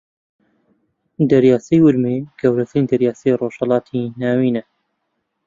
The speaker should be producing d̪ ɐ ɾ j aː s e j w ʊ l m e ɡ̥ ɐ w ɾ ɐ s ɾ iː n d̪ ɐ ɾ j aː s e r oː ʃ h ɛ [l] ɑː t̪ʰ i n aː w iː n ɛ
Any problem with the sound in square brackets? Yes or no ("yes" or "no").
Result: no